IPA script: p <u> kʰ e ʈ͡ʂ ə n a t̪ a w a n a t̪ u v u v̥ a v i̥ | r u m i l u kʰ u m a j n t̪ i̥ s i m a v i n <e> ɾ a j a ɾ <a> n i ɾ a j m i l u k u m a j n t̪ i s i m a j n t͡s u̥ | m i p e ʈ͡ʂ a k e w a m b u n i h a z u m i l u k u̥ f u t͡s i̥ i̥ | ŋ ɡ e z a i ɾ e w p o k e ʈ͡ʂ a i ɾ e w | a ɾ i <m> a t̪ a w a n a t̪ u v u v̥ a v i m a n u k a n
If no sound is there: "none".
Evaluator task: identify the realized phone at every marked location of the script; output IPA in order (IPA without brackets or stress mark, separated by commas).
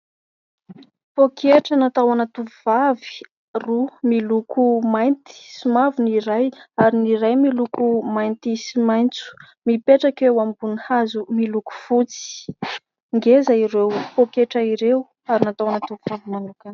o, i, i, n